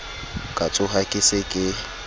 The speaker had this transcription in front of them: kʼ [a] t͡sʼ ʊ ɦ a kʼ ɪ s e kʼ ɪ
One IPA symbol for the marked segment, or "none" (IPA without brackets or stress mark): a